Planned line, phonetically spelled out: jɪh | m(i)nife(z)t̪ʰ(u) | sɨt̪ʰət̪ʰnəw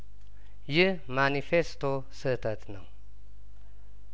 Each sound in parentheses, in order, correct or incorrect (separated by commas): incorrect, incorrect, incorrect